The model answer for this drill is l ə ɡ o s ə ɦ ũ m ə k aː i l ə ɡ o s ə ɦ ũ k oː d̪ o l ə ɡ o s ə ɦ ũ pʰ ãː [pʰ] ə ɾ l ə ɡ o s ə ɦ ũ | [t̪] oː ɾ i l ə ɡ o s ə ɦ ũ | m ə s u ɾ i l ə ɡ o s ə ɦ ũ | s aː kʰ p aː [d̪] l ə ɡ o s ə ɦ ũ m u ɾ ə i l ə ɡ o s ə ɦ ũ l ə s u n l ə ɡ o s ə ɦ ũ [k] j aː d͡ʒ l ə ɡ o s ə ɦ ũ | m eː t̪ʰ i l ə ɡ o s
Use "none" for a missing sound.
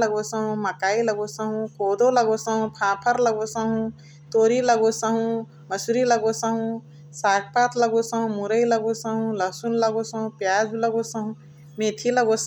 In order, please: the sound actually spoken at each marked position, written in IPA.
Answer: pʰ, t̪, t̪, p

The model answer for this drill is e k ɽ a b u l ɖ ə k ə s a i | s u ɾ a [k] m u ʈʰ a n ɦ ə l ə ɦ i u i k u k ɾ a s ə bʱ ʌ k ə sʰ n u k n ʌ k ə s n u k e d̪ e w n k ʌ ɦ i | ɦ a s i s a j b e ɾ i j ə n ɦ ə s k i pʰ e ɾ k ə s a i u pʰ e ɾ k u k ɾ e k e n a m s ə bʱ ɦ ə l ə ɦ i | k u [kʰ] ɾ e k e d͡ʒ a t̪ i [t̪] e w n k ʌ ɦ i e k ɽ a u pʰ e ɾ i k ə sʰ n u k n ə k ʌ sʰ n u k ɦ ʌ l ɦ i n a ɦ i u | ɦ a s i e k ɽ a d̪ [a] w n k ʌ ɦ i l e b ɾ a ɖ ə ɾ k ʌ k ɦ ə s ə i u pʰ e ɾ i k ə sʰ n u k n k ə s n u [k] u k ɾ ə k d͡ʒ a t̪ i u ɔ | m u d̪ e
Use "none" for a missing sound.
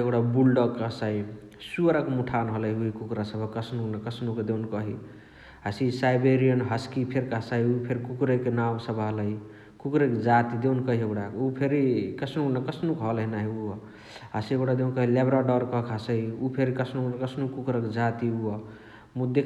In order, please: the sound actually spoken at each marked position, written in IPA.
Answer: k, k, d̪, e, k

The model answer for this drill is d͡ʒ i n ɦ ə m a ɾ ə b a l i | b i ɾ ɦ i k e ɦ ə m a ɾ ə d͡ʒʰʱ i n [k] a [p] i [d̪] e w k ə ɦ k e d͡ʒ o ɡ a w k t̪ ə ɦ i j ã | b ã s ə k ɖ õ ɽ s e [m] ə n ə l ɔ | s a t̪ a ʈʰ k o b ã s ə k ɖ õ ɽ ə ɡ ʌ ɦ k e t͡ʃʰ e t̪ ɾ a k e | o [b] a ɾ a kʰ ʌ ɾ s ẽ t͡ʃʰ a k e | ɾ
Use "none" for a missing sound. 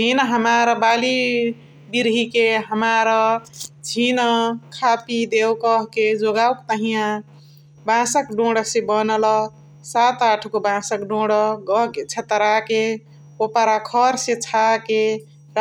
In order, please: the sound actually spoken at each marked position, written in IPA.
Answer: kʰ, p, d̪, b, p

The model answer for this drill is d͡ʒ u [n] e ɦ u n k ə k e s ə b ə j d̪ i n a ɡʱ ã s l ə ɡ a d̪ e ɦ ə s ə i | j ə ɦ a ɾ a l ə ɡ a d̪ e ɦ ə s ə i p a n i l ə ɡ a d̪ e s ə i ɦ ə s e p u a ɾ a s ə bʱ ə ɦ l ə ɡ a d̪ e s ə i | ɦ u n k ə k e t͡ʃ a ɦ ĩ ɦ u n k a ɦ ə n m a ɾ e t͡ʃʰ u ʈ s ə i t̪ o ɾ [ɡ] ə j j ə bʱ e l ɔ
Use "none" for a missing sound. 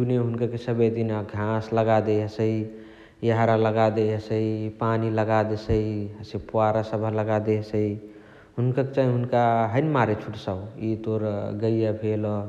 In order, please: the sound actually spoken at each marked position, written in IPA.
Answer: n, ɡ

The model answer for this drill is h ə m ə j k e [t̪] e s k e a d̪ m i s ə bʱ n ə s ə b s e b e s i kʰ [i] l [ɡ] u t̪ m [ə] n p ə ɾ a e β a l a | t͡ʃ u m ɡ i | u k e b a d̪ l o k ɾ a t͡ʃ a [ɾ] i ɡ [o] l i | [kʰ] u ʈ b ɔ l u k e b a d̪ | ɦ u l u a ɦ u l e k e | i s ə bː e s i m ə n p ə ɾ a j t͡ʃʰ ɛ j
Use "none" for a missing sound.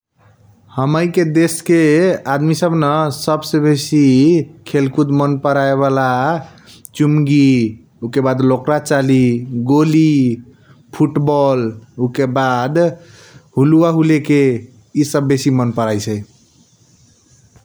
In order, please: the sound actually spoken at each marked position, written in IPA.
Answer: d̪, e, k, ə, l, o, pʰ

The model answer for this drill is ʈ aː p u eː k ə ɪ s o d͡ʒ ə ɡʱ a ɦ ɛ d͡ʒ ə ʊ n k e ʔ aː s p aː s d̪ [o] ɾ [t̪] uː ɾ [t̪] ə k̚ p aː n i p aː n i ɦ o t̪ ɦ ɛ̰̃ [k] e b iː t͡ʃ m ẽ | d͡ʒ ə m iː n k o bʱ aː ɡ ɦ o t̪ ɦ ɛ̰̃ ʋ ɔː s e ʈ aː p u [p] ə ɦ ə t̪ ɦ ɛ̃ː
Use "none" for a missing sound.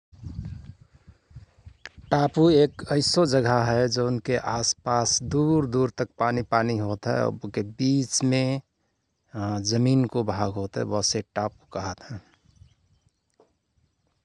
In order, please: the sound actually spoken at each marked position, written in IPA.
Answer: u, d̪, t̪, k, k

